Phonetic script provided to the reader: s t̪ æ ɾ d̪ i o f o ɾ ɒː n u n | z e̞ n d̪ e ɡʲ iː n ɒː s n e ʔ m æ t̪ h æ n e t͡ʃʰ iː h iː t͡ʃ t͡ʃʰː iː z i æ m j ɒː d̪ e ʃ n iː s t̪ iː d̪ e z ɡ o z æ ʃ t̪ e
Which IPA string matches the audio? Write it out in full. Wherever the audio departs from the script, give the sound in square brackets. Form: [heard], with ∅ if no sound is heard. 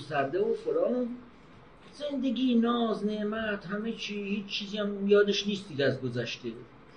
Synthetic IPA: s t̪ æ ɾ d̪ [e] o f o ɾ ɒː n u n | z e̞ n d̪ e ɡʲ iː n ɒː [z] n e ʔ m æ t̪ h æ [m] e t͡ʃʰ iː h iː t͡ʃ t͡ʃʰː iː z i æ m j ɒː d̪ e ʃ n iː s t̪ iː d̪ [æ] z ɡ o z æ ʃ t̪ e